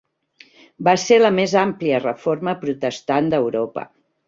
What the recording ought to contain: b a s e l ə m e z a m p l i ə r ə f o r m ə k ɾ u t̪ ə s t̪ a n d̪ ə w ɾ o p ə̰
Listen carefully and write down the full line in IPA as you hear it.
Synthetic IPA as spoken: b a s e l ə m e z a m p l i ə r ə f o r m ə p ɾ u t̪ ə s t̪ a n d̪ ə w ɾ o p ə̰